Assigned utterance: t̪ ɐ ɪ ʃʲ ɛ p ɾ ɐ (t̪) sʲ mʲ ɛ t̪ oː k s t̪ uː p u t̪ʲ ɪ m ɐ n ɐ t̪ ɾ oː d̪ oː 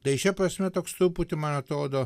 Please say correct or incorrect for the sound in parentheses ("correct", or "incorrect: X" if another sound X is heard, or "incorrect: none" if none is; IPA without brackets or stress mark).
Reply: incorrect: none